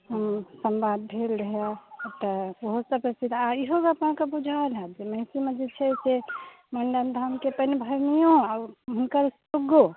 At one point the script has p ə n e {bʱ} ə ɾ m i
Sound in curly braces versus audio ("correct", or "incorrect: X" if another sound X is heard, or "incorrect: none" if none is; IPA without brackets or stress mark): correct